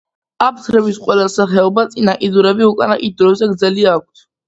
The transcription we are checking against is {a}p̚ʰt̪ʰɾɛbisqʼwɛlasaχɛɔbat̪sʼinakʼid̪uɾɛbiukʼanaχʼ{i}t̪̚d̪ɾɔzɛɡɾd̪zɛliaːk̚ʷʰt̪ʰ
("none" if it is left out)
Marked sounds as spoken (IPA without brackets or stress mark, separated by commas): a, i